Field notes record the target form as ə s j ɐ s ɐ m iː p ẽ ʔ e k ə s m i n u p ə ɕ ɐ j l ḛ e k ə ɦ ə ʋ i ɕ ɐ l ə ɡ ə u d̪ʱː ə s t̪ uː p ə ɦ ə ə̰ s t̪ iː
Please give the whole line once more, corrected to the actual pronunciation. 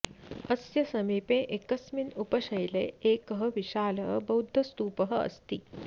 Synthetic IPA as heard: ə s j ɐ s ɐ m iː p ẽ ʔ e k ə s m i n u p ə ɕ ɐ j l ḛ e k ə ɦ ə ʋ i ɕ a l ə b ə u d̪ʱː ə s t̪ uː p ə ɦ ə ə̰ s t̪ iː